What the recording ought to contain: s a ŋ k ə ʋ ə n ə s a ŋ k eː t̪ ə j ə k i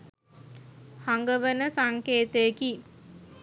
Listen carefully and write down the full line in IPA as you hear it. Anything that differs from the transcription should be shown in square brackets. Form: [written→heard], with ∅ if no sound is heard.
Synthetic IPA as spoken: [s→h] a ŋ [k→ɡ] ə ʋ ə n ə s a ŋ k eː t̪ ə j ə k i